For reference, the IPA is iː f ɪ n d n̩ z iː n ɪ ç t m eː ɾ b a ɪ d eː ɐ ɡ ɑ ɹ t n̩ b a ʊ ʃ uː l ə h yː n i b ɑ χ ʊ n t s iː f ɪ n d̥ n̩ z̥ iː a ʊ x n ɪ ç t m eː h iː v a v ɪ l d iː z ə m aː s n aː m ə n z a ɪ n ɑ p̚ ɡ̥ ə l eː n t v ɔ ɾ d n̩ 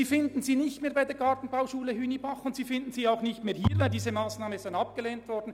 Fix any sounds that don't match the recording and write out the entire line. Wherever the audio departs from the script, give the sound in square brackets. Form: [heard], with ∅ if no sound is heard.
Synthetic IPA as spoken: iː f ɪ n d n̩ z iː n ɪ ç t m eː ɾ b a ɪ d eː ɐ ɡ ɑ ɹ t n̩ b a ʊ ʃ uː l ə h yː n i b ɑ χ ʊ n t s iː f ɪ n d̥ n̩ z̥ iː a ʊ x n ɪ ç t m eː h iː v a [∅] ɪ l d iː z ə m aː s n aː m ə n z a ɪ n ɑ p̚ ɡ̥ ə l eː n t v ɔ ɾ d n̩